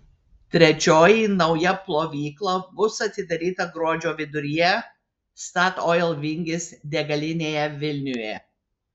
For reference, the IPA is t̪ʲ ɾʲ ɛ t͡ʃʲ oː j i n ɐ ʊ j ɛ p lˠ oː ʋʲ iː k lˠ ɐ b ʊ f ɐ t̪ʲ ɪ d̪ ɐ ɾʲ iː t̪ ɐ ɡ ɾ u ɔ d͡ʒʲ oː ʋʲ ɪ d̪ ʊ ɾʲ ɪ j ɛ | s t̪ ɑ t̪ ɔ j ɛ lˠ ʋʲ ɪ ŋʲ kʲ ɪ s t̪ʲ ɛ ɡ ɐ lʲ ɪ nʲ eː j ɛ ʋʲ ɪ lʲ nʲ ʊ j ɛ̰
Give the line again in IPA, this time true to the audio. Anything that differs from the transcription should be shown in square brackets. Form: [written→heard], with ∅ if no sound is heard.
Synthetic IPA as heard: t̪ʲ ɾʲ ɛ t͡ʃʲ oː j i n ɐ ʊ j ɛ p lˠ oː ʋʲ iː k lˠ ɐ b ʊ [f→s] ɐ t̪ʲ ɪ d̪ ɐ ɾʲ iː t̪ ɐ ɡ ɾ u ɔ d͡ʒʲ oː ʋʲ ɪ d̪ ʊ ɾʲ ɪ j ɛ | s t̪ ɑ t̪ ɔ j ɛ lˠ ʋʲ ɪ ŋʲ [kʲ→ɡʲ] ɪ s [t̪ʲ→d̪ʲ] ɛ ɡ ɐ lʲ ɪ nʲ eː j ɛ ʋʲ ɪ lʲ nʲ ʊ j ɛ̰